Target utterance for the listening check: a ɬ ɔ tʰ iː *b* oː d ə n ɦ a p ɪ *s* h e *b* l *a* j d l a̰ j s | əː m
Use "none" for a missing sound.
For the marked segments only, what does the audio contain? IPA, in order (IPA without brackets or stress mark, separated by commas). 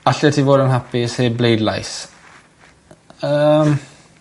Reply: v, s, b, e